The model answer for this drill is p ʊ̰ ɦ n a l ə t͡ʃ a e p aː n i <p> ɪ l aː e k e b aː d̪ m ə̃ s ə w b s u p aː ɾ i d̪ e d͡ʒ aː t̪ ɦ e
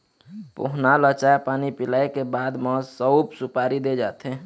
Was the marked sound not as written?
no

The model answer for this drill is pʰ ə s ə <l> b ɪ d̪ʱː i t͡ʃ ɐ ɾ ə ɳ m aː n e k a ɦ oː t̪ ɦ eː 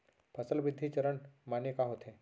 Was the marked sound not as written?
no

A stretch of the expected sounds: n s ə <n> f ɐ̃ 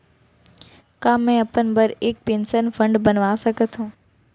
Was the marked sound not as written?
no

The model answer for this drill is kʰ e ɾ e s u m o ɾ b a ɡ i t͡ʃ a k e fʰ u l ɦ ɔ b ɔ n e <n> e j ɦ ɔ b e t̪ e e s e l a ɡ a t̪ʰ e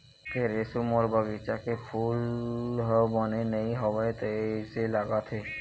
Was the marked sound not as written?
no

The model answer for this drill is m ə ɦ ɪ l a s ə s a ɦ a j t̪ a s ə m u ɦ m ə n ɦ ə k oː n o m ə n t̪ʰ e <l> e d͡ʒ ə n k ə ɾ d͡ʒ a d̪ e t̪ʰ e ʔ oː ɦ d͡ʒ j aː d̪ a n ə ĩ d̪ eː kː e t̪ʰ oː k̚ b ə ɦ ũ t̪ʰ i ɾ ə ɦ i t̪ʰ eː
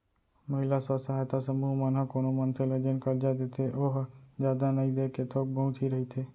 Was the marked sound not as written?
no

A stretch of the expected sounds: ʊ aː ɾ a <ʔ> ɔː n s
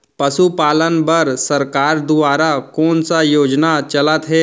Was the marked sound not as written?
yes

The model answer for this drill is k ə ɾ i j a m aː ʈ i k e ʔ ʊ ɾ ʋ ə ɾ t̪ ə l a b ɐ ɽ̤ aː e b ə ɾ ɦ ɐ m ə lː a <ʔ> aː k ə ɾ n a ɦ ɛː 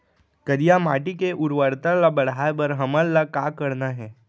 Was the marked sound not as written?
yes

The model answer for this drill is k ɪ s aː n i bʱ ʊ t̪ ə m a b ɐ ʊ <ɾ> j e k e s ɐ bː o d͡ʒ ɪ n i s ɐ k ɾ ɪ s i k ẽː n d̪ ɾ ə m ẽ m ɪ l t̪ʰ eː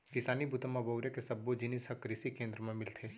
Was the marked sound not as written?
no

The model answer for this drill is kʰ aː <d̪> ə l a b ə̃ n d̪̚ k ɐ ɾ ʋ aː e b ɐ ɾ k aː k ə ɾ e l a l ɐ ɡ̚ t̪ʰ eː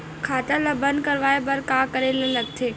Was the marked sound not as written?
yes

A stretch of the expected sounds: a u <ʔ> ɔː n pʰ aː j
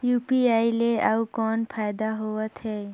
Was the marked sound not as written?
yes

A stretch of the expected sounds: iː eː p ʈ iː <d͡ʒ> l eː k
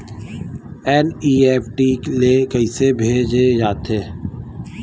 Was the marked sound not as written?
yes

